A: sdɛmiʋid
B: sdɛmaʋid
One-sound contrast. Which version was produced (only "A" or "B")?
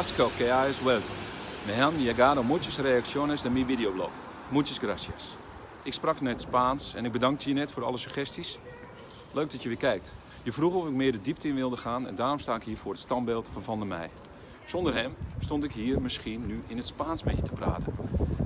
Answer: A